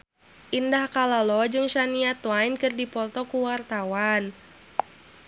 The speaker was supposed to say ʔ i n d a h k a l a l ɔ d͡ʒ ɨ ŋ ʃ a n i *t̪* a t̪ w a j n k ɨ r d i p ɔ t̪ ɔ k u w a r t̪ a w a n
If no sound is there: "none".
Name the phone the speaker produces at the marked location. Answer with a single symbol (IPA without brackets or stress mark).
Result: none